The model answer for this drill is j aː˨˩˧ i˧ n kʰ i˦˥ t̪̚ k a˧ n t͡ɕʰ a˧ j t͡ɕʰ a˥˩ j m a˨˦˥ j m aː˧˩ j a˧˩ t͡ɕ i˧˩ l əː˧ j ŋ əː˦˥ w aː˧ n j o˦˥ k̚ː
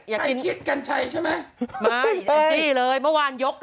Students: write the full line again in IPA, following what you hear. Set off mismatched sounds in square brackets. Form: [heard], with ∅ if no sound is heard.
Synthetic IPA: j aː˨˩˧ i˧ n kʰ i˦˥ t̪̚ k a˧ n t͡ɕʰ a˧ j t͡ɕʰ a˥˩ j m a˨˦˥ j m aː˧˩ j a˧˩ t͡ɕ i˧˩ l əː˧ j [m] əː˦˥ w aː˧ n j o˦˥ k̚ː